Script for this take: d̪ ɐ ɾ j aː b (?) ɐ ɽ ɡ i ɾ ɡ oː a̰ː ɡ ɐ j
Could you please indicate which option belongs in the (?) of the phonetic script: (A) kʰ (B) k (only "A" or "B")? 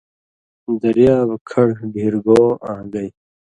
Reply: A